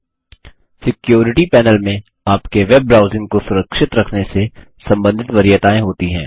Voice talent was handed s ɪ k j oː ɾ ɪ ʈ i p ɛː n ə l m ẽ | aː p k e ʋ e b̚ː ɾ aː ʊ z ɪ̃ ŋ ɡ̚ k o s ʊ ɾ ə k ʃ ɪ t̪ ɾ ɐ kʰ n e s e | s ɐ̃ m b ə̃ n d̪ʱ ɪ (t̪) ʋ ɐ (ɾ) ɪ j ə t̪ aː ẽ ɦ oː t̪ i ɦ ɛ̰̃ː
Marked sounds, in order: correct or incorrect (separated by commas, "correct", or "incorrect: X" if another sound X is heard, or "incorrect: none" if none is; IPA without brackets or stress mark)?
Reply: correct, correct